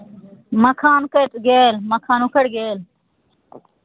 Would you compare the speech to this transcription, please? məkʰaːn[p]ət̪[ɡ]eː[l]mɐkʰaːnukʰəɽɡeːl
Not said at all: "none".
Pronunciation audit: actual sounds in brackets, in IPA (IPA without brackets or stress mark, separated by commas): k, ɡ, l